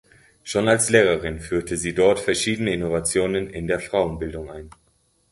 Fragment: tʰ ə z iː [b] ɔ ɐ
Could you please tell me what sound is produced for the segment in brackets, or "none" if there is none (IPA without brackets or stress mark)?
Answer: d